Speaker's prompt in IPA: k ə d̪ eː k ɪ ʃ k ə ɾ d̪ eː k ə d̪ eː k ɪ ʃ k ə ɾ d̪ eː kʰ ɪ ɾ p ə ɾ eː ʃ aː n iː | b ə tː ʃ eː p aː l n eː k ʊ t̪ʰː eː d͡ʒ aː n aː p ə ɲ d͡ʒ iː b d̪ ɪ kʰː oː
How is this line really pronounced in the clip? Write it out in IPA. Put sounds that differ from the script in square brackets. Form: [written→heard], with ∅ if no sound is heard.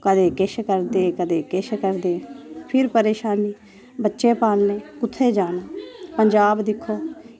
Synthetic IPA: k ə d̪ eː k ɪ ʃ k ə ɾ d̪ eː k ə d̪ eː k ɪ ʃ k ə ɾ d̪ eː [kʰ→pʰ] ɪ ɾ p ə ɾ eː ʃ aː n iː | b ə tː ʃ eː p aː l n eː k ʊ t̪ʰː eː d͡ʒ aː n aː p ə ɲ d͡ʒ [iː→aː] b d̪ ɪ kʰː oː